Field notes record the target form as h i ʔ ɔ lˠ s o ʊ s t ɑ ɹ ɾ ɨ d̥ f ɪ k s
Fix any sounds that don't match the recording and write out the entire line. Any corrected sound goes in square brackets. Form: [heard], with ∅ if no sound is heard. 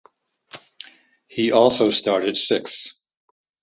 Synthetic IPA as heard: h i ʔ ɔ lˠ s o ʊ s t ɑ ɹ ɾ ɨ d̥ [s] ɪ k s